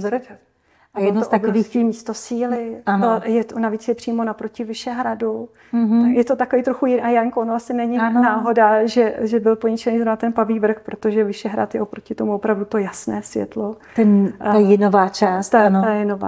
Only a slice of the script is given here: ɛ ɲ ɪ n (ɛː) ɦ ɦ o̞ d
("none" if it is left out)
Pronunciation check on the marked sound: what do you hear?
aː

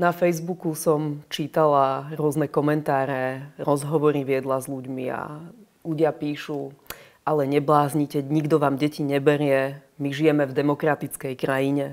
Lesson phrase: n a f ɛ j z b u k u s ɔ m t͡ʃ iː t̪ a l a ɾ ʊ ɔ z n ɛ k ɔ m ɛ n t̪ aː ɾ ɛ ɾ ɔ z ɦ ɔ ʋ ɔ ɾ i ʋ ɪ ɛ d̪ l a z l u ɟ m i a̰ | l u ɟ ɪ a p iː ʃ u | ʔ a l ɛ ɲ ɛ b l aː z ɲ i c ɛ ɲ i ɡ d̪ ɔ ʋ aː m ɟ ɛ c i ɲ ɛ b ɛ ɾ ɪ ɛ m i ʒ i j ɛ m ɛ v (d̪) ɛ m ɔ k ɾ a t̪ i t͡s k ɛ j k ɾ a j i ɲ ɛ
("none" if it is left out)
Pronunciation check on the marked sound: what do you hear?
d̪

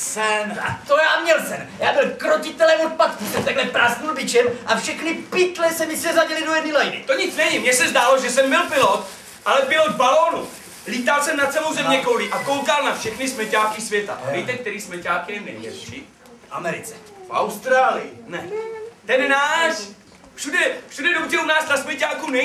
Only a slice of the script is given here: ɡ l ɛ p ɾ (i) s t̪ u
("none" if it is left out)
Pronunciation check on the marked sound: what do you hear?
a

